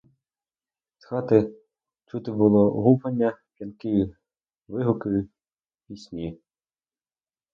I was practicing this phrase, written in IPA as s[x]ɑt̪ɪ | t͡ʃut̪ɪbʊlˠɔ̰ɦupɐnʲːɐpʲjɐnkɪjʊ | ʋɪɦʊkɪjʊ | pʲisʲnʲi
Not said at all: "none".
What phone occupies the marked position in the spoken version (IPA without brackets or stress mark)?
x